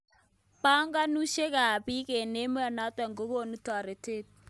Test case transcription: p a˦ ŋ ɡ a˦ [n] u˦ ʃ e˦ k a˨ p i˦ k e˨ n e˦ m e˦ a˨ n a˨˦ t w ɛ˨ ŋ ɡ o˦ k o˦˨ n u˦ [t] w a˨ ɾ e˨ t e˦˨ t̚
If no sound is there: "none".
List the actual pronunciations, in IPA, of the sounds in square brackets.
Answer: n, t

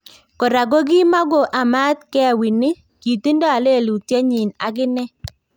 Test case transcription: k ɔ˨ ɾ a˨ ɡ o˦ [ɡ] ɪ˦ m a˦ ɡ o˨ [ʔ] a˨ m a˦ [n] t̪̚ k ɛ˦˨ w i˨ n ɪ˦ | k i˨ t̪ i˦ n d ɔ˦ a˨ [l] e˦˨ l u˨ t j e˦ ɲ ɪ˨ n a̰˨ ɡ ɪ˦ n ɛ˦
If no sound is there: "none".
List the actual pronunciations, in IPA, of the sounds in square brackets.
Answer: ɡ, ʔ, none, l

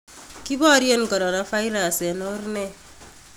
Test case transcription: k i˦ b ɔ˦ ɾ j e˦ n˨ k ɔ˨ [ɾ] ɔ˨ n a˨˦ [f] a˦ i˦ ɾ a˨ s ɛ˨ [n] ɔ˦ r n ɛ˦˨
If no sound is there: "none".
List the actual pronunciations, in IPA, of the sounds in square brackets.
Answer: ɾ, f, n

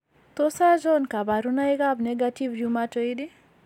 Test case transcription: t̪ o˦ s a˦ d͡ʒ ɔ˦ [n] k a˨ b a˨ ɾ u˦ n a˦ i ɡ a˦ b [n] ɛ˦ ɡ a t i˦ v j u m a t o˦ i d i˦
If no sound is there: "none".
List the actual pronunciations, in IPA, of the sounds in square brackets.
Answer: n, n

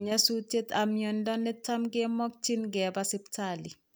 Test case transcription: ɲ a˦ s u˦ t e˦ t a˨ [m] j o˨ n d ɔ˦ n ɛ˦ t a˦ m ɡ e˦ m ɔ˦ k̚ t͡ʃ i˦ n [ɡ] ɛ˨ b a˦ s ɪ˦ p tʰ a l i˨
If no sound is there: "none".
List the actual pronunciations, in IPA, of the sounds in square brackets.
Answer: m, ɡ

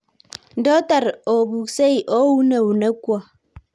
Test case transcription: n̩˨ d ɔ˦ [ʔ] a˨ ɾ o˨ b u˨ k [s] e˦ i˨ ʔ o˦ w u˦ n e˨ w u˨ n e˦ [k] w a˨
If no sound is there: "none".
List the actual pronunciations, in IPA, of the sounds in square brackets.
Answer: t, s, k

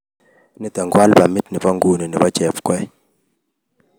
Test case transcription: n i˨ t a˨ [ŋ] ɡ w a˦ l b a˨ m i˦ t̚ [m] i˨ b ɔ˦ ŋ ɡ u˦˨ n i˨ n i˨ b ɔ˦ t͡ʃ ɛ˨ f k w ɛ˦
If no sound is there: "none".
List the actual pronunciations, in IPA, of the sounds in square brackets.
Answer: ŋ, n

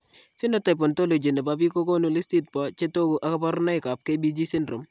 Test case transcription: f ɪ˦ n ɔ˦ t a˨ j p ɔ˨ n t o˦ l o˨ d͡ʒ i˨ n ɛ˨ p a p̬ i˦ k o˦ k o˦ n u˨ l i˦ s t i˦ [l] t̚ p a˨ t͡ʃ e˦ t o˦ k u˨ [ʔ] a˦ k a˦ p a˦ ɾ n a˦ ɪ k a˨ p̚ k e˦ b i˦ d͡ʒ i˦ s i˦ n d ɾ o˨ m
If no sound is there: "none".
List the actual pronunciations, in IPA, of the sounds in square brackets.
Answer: none, ʔ

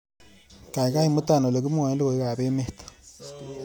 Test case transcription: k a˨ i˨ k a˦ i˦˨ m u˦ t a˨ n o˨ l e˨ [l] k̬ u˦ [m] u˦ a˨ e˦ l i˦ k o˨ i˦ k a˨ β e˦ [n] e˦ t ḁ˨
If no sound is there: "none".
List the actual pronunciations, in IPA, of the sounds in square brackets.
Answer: none, m, m

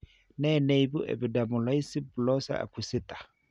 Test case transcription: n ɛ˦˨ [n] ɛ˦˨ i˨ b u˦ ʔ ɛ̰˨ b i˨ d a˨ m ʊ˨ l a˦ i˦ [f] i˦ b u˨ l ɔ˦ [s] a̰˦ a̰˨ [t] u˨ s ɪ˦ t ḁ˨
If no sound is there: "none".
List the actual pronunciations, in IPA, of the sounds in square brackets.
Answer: n, s, s, k

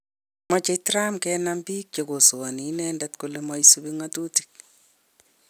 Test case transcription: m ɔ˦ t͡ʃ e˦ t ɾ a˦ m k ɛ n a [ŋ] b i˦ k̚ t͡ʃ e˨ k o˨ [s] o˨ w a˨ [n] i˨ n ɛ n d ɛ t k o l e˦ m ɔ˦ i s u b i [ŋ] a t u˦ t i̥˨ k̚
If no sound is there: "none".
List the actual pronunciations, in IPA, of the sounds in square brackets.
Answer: m, s, n, ŋ

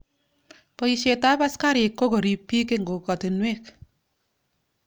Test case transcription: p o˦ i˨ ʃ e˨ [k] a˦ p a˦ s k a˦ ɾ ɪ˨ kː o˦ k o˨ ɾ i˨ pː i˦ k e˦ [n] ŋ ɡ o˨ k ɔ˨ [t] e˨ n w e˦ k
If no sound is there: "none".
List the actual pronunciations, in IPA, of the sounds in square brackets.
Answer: t, none, t

